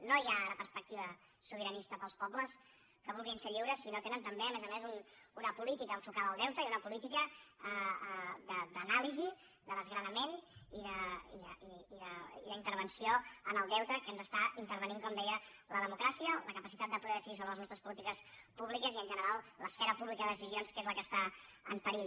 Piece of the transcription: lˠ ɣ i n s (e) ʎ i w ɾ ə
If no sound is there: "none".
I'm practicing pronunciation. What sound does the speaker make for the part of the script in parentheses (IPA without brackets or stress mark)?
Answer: e